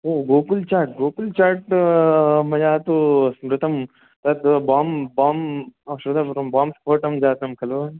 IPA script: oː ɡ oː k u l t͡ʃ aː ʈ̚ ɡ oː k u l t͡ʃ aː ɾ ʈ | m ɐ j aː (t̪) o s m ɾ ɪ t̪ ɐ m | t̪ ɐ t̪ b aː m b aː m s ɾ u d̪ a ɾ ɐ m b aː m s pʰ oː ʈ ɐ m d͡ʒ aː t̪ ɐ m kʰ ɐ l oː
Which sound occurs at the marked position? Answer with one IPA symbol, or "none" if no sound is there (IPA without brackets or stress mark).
t̪